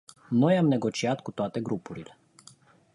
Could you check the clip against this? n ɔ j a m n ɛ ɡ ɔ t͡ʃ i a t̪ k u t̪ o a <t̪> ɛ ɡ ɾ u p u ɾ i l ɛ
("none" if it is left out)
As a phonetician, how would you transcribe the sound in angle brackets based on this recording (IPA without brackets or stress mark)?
t̪